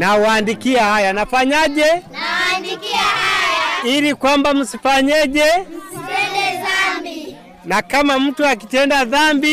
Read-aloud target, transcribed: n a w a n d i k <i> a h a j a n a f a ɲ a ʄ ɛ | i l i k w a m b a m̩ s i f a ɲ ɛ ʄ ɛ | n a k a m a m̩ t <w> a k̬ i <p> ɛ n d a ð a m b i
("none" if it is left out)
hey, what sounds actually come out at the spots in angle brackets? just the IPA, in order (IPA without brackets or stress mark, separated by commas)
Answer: i, u, t